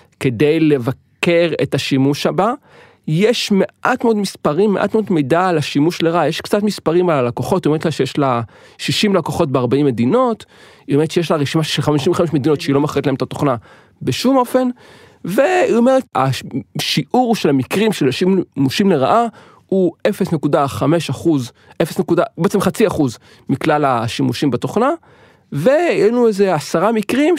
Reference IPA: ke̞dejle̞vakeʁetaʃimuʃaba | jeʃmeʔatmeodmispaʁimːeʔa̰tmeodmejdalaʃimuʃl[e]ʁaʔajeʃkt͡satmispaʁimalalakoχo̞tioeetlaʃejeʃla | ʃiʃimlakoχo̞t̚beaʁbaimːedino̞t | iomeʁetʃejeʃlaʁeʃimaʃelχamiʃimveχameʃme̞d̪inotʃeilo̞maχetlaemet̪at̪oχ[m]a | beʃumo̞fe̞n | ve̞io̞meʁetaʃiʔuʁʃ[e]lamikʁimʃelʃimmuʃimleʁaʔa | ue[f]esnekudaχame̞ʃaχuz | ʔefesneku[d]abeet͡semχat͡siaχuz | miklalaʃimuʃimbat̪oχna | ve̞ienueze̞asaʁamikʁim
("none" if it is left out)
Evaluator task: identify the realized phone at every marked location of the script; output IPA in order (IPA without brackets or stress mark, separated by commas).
e, n, e, f, d